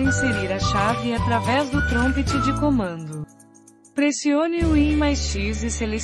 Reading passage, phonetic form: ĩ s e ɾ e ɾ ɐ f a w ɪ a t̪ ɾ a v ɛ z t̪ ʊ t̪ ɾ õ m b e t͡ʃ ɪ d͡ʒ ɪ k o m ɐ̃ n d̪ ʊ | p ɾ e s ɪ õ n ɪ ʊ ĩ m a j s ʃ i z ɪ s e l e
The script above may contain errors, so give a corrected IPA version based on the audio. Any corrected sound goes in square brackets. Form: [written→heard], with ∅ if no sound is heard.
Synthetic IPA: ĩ s e ɾ [e→i] ɾ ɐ [f→ʃ] a [w→v] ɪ a t̪ ɾ a v ɛ z [t̪→d̪] ʊ t̪ ɾ õ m [b→p] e t͡ʃ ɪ d͡ʒ ɪ k o m ɐ̃ n d̪ ʊ | p ɾ e s [ɪ→i] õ n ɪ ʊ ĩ m a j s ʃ i z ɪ s e l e